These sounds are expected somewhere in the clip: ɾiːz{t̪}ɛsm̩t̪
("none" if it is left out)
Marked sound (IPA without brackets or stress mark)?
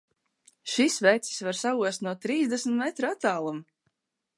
d̪